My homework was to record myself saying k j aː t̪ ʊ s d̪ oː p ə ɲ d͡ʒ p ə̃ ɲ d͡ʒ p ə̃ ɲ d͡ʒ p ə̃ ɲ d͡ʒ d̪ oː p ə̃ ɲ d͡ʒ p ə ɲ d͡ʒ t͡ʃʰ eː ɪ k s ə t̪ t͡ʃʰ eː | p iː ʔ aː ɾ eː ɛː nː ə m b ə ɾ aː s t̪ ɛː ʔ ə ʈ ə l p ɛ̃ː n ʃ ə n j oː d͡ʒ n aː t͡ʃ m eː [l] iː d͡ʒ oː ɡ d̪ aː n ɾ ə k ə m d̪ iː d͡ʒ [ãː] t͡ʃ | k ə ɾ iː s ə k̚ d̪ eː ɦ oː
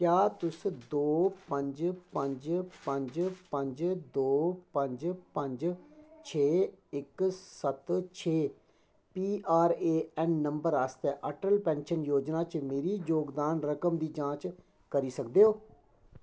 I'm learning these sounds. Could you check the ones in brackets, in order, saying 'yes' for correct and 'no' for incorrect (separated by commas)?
no, yes